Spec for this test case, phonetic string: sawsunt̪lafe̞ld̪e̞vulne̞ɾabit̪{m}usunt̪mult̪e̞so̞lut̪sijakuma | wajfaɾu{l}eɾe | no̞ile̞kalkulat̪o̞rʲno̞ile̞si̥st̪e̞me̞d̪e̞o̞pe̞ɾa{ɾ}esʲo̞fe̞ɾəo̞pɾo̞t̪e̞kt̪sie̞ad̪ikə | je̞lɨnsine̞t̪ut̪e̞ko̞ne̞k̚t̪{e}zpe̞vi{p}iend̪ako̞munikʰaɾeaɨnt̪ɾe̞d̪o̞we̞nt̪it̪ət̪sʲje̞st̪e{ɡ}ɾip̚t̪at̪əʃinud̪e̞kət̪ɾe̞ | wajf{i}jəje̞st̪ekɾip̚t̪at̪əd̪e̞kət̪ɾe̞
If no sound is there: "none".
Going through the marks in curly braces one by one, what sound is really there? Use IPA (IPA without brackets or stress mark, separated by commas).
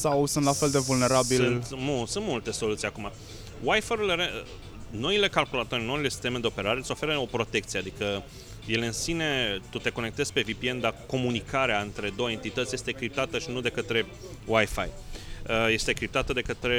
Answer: m, l, ɾ, e, p, k, a